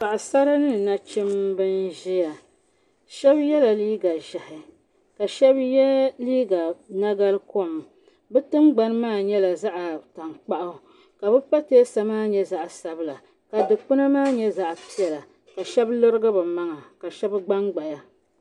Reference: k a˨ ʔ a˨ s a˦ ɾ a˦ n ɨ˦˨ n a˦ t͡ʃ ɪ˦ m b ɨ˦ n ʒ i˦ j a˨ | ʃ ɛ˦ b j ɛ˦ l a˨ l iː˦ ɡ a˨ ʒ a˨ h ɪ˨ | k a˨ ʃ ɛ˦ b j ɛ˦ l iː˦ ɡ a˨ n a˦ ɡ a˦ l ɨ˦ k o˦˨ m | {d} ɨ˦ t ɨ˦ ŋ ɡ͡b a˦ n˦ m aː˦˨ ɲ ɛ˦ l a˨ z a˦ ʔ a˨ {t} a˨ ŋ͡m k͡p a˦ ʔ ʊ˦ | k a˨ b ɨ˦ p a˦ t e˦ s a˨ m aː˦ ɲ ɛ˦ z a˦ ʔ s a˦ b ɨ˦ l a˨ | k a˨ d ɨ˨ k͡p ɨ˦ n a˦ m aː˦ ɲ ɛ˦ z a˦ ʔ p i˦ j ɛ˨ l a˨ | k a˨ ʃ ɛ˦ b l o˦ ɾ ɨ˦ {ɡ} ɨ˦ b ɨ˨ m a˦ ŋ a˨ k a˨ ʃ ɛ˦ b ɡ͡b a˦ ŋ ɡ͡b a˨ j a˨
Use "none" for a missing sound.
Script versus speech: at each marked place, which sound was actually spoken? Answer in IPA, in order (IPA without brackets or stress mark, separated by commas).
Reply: b, t, ɡ